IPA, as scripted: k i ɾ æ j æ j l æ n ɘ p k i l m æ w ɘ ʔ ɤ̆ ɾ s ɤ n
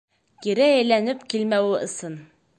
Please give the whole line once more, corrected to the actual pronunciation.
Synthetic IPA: k i ɾ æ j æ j l æ n ɘ p k i l m æ w ɘ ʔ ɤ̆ s ɤ n